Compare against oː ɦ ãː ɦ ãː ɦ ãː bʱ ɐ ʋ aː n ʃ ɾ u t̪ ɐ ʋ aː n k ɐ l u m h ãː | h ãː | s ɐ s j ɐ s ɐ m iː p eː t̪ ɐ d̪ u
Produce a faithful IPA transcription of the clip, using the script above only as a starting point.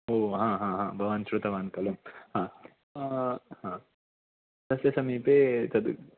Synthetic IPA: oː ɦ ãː ɦ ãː ɦ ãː bʱ ɐ ʋ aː n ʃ ɾ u t̪ ɐ ʋ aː n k ɐ l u m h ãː | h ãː | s ɐ s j ɐ s ɐ m iː p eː t̪ ɐ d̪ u